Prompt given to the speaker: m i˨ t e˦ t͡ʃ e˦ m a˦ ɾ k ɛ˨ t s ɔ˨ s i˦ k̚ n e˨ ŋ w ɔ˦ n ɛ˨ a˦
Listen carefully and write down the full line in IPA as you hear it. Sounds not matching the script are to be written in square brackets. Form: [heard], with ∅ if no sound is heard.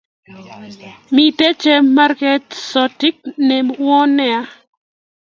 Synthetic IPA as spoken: m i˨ t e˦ t͡ʃ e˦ m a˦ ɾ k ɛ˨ t s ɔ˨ [t] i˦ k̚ n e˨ [m] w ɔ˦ n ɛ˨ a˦